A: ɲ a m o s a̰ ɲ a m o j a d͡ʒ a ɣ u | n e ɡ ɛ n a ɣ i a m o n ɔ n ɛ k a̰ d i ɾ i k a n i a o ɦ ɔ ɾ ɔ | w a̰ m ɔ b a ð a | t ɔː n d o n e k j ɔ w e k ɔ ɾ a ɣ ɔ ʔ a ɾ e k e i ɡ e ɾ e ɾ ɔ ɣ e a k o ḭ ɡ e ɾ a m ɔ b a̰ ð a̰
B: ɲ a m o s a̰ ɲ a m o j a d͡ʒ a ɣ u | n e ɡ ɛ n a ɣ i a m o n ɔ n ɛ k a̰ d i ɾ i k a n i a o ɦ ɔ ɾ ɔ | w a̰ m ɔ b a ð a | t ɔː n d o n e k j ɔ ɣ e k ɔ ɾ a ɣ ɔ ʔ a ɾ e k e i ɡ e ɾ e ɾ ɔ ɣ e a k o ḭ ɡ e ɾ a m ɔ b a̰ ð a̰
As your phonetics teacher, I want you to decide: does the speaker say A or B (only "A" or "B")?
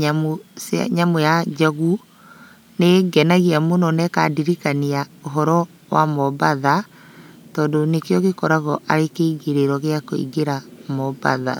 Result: B